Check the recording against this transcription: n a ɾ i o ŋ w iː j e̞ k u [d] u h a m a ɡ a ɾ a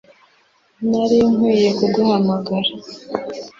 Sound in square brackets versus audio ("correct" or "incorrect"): incorrect